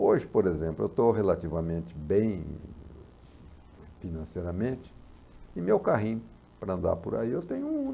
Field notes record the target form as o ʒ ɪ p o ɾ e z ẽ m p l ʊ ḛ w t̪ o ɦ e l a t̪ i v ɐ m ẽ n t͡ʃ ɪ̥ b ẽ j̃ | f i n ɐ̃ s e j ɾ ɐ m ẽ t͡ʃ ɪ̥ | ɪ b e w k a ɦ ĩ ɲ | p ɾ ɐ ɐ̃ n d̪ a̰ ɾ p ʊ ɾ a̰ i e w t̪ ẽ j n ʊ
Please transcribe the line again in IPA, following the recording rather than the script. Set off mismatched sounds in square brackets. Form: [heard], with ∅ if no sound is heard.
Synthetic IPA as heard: o ʒ ɪ p o ɾ e z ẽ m p l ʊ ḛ w t̪ o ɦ e l a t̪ i v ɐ m ẽ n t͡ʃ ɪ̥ b ẽ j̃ | f i n ɐ̃ s e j ɾ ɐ m ẽ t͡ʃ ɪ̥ | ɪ [m] e w k a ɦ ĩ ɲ | p ɾ ɐ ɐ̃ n d̪ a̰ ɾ p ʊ ɾ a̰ i e w t̪ ẽ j [ɲ] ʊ